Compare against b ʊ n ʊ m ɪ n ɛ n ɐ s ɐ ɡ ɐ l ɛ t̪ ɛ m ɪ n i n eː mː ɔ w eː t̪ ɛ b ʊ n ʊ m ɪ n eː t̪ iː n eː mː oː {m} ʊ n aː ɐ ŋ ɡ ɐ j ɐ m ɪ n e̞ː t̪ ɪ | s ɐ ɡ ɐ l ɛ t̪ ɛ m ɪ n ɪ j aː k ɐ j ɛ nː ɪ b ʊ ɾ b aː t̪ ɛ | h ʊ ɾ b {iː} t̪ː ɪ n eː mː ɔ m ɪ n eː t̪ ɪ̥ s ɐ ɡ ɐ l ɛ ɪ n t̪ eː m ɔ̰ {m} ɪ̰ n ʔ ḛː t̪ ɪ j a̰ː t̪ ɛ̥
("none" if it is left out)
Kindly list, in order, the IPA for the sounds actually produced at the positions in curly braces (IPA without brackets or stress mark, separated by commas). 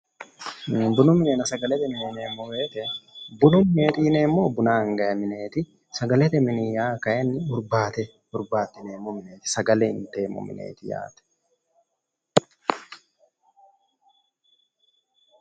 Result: b, aː, m